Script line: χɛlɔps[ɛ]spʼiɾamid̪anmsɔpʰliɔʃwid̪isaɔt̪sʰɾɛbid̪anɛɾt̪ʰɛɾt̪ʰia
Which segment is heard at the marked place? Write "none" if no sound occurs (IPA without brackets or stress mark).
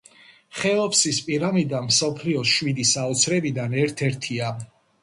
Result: i